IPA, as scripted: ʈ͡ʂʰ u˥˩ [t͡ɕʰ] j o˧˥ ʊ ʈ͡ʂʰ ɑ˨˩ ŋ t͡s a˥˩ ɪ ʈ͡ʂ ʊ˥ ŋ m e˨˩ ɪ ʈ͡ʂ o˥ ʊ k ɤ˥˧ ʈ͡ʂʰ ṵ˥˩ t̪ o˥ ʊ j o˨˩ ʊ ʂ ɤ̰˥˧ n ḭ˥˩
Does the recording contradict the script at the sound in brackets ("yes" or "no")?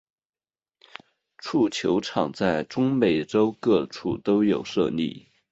no